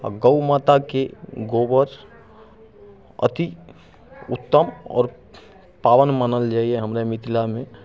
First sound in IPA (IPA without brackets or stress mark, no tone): ɡ